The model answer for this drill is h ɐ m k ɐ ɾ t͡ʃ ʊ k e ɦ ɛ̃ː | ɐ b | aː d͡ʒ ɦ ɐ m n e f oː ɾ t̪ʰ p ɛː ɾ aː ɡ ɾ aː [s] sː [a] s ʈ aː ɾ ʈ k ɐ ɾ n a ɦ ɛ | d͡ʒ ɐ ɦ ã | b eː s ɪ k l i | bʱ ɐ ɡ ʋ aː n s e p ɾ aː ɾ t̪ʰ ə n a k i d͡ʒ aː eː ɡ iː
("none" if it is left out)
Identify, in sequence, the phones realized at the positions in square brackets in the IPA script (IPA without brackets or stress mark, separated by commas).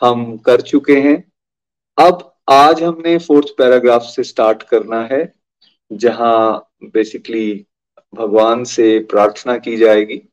f, e